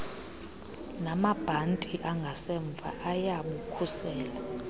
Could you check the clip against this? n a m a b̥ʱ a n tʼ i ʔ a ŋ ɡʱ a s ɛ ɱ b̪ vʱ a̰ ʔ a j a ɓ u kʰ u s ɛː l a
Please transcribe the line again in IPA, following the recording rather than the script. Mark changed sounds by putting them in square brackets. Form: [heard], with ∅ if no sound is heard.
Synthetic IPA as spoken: n a m a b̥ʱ a n tʼ i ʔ a ŋ ɡʱ a s ɛ ɱ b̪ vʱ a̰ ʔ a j a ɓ u kʰ u s ɛː l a